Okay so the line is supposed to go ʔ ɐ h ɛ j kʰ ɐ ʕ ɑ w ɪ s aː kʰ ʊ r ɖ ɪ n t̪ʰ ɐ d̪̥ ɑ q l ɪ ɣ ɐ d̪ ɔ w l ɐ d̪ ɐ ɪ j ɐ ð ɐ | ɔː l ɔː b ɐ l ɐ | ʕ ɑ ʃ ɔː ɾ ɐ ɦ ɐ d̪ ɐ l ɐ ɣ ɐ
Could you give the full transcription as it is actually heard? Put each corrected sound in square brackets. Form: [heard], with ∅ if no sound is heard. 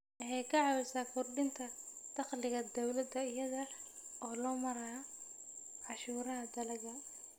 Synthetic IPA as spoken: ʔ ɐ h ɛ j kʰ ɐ ʕ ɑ w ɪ s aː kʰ ʊ r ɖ ɪ n t̪ʰ ɐ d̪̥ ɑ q l ɪ ɣ ɐ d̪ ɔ w l ɐ d̪ ɐ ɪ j ɐ ð ɐ | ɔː l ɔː [m] ɐ [ɾ] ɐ | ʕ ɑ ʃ [uː] ɾ ɐ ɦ ɐ d̪ ɐ l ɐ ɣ ɐ